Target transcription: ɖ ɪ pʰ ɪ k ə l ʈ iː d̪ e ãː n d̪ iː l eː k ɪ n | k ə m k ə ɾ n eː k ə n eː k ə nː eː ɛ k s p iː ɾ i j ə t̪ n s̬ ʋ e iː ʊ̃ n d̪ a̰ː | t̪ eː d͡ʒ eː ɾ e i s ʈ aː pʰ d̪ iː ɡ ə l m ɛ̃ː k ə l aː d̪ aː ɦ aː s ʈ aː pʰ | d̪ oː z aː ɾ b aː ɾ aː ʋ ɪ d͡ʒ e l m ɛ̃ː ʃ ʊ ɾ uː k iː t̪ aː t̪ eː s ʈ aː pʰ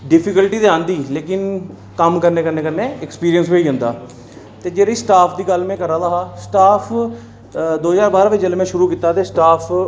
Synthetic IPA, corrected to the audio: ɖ ɪ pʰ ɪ k ə l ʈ iː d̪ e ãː n d̪ iː l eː k ɪ n | k ə m k ə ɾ n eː k ə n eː k ə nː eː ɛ k s p iː ɾ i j ə n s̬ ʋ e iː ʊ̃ n d̪ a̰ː | t̪ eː d͡ʒ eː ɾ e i s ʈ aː pʰ d̪ iː ɡ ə l m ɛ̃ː k ə ɾ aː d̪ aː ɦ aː s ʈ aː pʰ | d̪ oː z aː ɾ b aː ɾ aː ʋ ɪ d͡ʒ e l m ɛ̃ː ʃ ʊ ɾ uː k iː t̪ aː t̪ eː s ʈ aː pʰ

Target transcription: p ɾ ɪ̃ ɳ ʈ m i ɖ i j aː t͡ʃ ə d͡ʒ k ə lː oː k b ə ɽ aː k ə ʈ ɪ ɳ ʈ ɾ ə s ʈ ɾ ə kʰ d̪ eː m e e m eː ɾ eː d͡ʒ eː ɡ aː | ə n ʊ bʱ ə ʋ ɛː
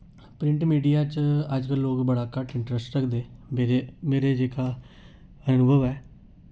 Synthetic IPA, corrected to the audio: p ɾ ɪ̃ ɳ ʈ m iː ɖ i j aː t͡ʃ ə d͡ʒ k ə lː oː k b ə ɽ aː k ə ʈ ɪ ɳ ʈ ɾ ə s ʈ ɾ ə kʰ d̪ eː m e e m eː ɾ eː d͡ʒ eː k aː | ə n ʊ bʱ ə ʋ ɛː

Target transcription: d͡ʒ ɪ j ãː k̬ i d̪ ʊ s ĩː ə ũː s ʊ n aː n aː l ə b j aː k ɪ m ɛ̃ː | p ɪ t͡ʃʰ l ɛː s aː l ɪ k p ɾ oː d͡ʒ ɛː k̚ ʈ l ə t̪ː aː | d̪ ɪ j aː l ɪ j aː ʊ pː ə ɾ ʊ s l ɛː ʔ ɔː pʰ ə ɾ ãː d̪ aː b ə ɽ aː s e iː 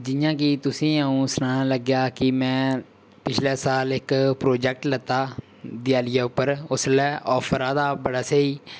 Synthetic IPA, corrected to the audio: d͡ʒ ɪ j ãː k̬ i t̪ ʊ s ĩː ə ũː s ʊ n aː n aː l ə ɡ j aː k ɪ m ɛ̃ː | p ɪ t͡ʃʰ l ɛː s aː l ɪ k p ɾ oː d͡ʒ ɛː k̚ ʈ l ə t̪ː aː | d̪ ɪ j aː l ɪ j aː ʊ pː ə ɾ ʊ s l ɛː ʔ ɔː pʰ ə ɾ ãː d̪ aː b ə ɽ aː s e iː

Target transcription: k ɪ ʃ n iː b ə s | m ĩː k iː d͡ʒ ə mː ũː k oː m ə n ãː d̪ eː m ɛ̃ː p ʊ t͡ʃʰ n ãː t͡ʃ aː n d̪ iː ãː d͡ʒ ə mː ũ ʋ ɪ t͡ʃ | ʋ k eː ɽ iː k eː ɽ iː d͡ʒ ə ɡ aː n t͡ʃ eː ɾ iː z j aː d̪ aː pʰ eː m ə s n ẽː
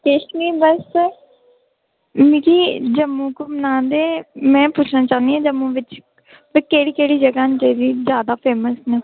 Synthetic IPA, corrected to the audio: k ɪ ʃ n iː b ə s | m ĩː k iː d͡ʒ ə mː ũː k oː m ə n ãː d̪ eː m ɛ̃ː p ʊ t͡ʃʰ n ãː t͡ʃ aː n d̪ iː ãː d͡ʒ ə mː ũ ʋ ɪ t͡ʃ | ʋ k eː ɽ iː k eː ɽ iː d͡ʒ ə ɡ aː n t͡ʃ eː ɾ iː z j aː d̪ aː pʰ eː m ə s n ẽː

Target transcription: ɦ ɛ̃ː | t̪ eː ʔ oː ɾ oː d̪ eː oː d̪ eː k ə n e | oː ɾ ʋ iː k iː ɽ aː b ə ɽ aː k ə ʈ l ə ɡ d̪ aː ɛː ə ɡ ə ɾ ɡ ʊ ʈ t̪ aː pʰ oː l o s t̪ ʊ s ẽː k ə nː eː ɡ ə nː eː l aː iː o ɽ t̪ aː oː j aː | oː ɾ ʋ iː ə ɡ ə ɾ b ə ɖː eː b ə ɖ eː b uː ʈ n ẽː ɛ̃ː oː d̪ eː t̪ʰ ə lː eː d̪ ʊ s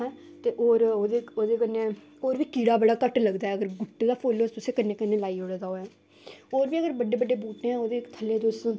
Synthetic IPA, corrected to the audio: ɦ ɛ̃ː | t̪ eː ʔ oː ɾ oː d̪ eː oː d̪ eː k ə n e | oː ɾ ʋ iː k iː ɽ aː b ə ɽ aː k ə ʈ l ə ɡ d̪ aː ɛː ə ɡ ə ɾ ɡ ʊ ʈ d̪ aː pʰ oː l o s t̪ ʊ s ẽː k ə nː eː k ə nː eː l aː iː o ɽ d̪ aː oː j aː | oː ɾ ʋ iː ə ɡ ə ɾ b ə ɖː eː b ə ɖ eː b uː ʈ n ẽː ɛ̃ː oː d̪ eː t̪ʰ ə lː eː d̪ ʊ s

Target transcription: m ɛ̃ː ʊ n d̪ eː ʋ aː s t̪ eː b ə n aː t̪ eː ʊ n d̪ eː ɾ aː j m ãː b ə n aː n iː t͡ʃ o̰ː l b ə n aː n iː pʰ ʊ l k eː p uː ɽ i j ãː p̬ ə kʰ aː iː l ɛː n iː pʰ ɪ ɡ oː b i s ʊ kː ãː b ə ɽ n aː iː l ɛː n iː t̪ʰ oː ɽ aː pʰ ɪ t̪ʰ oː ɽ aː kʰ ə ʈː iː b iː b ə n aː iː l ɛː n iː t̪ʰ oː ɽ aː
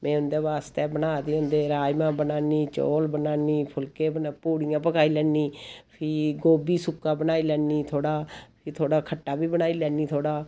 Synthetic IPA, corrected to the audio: m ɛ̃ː ʊ n d̪ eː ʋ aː s t̪ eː b ə n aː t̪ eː ʊ n d̪ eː ɾ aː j m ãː b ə n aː n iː t͡ʃ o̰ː l b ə n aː n iː pʰ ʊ l k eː p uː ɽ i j ãː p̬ ə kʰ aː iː l ɛː n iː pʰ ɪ ɡ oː b iː s ʊ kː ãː b ə n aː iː l ɛː n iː t̪ʰ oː ɽ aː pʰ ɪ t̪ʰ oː ɽ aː kʰ ə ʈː aː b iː b ə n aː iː l ɛː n iː t̪ʰ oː ɽ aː

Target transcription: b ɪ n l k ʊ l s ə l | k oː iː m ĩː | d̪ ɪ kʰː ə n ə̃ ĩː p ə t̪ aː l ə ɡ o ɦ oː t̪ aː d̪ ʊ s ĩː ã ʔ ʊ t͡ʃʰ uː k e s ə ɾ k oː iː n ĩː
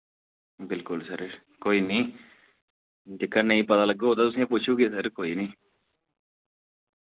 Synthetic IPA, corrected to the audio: b ɪ l k ʊ l s ə ɾ | k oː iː n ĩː | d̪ ɪ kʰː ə n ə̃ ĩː p ə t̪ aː l ə ɡ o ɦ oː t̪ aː t̪ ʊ s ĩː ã p ʊ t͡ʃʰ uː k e s ə ɾ k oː iː n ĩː

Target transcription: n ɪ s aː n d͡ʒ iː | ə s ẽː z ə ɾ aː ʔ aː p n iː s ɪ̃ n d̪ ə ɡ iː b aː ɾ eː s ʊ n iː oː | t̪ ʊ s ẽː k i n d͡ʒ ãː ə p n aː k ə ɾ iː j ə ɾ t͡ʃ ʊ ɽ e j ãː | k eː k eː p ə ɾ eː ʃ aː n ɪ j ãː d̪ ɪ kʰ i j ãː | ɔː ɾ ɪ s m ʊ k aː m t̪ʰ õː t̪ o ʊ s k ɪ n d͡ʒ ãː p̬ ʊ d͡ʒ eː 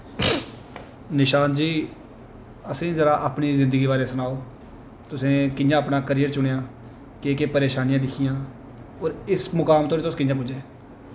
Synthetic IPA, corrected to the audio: n ɪ ʃ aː n d͡ʒ iː | ə s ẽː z ə ɾ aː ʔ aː p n iː z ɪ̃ n d̪ ə ɡ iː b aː ɾ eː s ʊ n aː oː | t̪ ʊ s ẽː k ɪ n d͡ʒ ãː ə p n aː k ə ɾ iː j ə ɾ t͡ʃ ʊ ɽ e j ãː | k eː k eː p ə ɾ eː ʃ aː n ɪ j ãː d̪ ɪ kʰ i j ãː | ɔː ɾ ɪ s m ʊ k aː m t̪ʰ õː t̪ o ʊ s k ɪ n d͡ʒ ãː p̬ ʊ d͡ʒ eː

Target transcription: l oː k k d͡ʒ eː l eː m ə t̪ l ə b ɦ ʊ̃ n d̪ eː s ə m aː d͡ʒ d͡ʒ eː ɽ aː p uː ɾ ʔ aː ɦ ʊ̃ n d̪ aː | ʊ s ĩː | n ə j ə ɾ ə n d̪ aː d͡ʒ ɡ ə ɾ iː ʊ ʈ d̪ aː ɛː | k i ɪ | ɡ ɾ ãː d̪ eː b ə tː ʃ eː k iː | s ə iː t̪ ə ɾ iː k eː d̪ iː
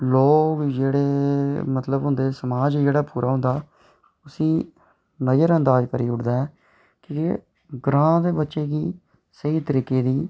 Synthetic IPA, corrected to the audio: l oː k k d͡ʒ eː ɽ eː m ə t̪ l ə b ɦ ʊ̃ n d̪ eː s ə m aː d͡ʒ d͡ʒ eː ɽ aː p uː ɾ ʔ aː ɦ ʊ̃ n d̪ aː | ʊ s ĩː | n ə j ə ɾ ə n d̪ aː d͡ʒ k ə ɾ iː ʊ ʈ d̪ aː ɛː | k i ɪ | ɡ ɾ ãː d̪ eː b ə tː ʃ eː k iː | s ə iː t̪ ə ɾ iː k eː d̪ iː

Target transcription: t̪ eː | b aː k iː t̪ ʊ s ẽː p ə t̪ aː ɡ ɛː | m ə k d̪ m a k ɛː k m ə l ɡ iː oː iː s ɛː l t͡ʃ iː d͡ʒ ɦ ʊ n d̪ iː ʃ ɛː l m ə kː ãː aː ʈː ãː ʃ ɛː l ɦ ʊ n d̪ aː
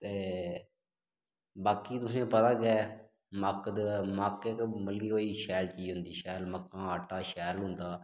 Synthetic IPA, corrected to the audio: t̪ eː | b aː k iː t̪ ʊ s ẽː p ə t̪ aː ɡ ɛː | m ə k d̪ m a k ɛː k m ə l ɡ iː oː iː ʃ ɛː l t͡ʃ iː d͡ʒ ɦ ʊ n d̪ iː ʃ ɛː l m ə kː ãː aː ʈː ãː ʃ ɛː l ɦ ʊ n d̪ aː

